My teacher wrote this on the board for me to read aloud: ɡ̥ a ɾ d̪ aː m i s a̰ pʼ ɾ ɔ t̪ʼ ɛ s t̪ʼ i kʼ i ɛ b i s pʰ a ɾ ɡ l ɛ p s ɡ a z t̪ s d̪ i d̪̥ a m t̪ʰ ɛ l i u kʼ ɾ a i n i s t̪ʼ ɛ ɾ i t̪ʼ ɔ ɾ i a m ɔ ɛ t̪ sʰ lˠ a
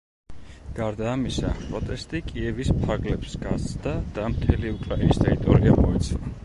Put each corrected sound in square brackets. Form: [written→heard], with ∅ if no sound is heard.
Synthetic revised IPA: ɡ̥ a ɾ d̪ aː m i s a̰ pʼ ɾ ɔ t̪ʼ ɛ s t̪ʼ i kʼ i ɛ [b→v] i s pʰ a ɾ ɡ l ɛ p s ɡ a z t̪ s d̪ [i→a] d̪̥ a m t̪ʰ ɛ l i u kʼ ɾ a i n i s t̪ʼ ɛ ɾ i t̪ʼ ɔ ɾ i a m ɔ ɛ t̪ sʰ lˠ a